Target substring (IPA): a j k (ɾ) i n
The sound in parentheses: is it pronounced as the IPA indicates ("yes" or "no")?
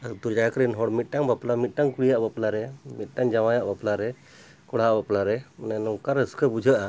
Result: yes